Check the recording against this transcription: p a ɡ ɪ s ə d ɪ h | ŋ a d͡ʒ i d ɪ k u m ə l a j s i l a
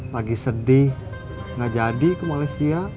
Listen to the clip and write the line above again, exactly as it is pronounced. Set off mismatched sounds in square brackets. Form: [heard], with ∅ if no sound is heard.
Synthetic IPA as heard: p a ɡ [i] s ə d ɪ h | ŋ a d͡ʒ [a] d [i] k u m [a] l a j s i [∅] a